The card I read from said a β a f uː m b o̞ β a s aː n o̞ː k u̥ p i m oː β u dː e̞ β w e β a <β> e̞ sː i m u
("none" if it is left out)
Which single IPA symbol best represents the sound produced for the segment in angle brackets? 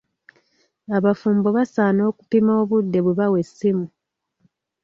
w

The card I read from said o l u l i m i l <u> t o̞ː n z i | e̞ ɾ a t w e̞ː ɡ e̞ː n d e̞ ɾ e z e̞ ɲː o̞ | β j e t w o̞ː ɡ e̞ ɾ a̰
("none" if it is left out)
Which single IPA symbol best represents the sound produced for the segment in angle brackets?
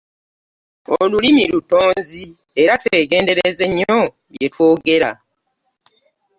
u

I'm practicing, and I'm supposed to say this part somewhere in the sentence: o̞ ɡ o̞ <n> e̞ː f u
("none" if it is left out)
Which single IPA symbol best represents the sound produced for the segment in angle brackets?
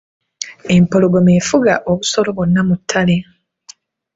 m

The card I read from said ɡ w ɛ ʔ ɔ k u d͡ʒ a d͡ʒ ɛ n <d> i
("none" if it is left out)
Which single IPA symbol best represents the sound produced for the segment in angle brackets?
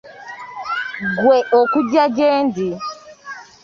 d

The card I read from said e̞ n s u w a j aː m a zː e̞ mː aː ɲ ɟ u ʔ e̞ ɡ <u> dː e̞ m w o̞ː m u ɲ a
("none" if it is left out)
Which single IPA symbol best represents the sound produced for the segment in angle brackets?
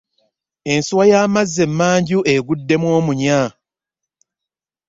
u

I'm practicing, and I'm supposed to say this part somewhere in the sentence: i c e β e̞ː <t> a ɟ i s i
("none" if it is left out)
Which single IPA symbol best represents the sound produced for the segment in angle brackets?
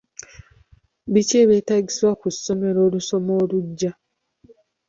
t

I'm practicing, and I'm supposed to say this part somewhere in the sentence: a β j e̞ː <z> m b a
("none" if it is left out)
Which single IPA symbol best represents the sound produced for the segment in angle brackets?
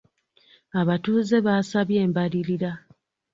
none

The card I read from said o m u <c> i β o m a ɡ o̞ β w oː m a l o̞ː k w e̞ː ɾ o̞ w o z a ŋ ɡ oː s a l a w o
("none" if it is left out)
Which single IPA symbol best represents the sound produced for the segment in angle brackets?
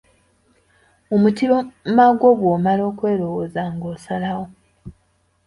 t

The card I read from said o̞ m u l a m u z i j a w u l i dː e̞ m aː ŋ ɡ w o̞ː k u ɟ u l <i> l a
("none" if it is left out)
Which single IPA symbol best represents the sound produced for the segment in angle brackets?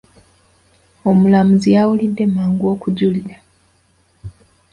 i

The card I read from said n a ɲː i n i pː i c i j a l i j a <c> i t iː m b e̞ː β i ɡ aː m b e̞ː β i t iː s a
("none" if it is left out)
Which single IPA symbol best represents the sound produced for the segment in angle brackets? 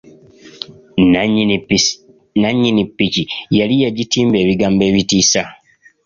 ɟ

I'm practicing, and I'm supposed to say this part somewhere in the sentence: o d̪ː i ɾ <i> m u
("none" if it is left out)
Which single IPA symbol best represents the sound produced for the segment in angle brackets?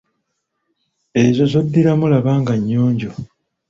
a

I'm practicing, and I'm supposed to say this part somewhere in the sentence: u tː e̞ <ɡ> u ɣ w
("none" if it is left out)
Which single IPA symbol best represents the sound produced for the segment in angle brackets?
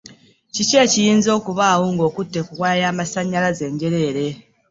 k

